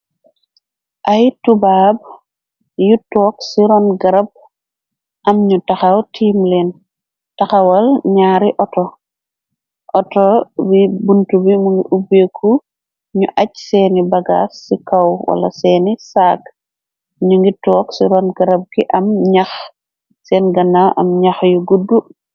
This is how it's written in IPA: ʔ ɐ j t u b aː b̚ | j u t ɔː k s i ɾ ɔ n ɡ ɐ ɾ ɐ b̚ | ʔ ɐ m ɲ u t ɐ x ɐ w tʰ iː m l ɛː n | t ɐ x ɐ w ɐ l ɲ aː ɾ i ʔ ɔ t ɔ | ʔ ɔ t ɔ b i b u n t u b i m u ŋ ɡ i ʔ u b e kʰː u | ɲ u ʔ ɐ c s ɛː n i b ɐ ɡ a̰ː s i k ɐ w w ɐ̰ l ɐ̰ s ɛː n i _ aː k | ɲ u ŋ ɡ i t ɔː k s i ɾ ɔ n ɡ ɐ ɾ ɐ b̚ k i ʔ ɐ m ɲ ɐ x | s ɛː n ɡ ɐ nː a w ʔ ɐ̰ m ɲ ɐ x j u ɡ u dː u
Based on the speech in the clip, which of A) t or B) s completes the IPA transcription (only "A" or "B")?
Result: B